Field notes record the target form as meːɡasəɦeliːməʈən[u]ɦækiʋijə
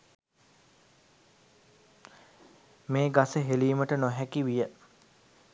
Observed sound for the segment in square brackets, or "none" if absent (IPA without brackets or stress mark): o